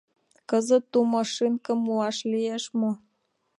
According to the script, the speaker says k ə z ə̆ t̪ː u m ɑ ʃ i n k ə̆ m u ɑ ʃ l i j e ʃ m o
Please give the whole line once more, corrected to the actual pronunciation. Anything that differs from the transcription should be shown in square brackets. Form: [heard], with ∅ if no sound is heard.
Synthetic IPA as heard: k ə z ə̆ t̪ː u m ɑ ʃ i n k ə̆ m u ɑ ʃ l i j e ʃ m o